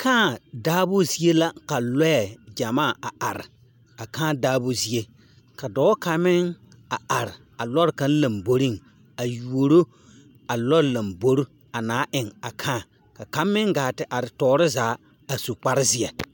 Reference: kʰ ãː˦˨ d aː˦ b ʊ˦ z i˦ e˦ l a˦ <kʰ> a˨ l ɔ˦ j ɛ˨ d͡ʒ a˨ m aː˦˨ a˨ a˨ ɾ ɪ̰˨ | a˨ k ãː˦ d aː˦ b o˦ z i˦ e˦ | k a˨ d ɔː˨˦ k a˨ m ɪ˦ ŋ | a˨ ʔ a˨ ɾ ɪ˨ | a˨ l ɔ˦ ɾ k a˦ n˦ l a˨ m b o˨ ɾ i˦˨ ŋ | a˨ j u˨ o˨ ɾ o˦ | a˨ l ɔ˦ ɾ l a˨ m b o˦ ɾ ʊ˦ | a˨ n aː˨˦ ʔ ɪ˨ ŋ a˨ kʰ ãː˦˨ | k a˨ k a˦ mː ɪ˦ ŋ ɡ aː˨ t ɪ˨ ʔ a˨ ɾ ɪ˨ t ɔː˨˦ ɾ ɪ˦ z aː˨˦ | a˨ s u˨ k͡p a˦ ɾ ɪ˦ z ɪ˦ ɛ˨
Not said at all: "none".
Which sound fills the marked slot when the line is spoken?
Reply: k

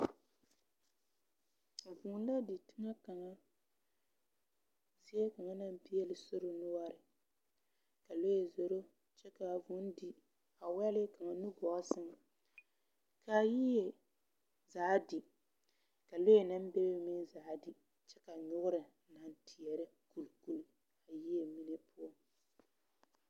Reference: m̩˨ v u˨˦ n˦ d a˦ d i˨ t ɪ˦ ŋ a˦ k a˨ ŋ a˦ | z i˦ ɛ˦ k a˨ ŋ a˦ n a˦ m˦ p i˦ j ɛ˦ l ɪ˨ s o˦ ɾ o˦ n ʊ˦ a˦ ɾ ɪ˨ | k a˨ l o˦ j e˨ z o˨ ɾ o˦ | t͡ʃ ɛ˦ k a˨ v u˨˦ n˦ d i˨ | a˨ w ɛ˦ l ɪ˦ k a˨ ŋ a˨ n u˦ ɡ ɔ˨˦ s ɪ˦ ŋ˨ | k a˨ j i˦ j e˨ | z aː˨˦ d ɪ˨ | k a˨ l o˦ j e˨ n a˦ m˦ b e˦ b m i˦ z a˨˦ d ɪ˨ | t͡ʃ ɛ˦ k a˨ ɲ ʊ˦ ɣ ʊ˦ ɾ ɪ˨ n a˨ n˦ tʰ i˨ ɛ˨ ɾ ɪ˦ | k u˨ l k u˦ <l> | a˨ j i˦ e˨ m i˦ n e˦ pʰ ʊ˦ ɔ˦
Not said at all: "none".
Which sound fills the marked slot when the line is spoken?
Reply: l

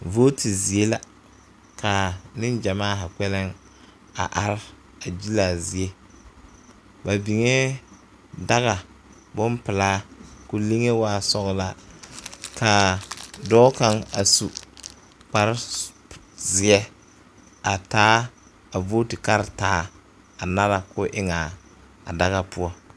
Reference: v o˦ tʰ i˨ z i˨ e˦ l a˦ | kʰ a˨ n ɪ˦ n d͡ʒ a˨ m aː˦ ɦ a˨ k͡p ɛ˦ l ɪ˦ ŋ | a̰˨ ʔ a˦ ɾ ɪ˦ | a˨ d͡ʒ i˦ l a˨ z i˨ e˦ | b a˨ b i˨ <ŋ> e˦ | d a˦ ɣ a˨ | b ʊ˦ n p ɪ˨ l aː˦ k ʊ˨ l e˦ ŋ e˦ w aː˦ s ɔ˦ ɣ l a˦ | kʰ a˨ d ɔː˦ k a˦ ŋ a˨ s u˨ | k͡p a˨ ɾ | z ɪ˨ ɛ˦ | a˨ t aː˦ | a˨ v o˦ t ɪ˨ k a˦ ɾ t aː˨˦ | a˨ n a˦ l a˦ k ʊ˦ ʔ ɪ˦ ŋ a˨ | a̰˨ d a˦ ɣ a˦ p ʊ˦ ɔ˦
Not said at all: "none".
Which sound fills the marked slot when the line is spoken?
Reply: ŋ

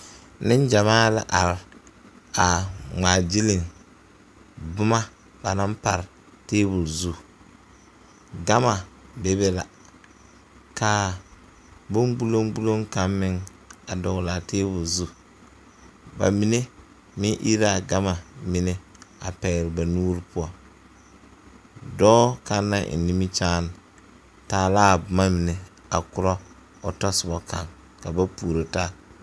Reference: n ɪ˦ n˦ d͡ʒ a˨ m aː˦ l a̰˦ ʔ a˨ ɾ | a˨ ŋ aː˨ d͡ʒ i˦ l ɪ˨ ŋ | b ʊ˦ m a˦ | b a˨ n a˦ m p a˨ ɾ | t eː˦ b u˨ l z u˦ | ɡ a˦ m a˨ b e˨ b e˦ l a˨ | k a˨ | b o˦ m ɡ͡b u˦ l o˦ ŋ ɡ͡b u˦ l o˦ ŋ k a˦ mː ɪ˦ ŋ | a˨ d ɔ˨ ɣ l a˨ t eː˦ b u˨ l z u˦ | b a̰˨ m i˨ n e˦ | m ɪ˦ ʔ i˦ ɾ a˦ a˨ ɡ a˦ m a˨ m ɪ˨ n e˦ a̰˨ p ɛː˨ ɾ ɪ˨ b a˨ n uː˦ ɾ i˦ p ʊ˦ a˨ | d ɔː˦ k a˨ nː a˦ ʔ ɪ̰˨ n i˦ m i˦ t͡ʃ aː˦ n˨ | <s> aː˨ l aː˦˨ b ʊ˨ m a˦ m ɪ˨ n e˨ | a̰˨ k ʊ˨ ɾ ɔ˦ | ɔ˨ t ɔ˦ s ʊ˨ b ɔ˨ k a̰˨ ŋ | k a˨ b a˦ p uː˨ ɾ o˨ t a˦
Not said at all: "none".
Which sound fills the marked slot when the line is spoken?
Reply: t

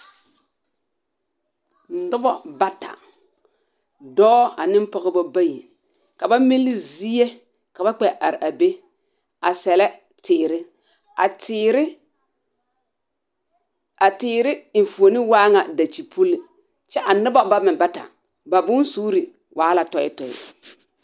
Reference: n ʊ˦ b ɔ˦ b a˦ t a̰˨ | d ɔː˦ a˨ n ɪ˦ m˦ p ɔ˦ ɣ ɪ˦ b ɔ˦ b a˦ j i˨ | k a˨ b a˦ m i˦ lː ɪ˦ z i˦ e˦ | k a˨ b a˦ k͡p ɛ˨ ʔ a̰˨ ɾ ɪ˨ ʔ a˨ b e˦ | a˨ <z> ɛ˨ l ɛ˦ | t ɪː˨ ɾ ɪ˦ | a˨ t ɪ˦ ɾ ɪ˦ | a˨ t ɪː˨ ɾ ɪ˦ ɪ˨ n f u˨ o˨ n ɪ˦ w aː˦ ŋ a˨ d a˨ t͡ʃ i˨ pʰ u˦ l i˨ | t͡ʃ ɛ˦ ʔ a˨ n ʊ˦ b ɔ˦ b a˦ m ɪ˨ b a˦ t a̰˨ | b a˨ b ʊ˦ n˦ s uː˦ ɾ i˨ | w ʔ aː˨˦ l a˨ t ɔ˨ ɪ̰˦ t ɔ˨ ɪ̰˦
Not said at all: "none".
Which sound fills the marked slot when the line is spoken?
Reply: s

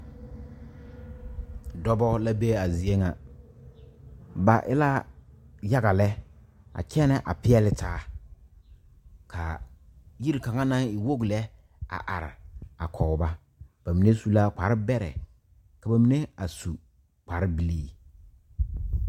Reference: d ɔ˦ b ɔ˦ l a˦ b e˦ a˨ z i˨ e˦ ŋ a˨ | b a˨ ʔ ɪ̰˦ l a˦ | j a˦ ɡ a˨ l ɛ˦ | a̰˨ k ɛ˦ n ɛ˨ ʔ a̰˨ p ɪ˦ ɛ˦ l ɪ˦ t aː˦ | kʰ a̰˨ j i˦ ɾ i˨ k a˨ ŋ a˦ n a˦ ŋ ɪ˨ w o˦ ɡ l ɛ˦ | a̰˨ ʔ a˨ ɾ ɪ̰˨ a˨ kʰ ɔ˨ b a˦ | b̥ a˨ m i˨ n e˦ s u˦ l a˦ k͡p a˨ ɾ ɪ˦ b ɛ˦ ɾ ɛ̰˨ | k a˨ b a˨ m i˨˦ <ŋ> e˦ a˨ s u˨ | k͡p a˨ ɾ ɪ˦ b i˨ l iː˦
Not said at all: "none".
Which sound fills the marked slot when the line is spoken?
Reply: n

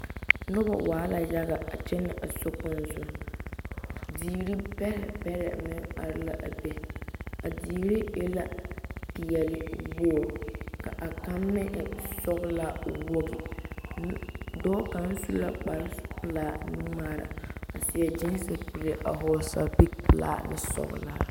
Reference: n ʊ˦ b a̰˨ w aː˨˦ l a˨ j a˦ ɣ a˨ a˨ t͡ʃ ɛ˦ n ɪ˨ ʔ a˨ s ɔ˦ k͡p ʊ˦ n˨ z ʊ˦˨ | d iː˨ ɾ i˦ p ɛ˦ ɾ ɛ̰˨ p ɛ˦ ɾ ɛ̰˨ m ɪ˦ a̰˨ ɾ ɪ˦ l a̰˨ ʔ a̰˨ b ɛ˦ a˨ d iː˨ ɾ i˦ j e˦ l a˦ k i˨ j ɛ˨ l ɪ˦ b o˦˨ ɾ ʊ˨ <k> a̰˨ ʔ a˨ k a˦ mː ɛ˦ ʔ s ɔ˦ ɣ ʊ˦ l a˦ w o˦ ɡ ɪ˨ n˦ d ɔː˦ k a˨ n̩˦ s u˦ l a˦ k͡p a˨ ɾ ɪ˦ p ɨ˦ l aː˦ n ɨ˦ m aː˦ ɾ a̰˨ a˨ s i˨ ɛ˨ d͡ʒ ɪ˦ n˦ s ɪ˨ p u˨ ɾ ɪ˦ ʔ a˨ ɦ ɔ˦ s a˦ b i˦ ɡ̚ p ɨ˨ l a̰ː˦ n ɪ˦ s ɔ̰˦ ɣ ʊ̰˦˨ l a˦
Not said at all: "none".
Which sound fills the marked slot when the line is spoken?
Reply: k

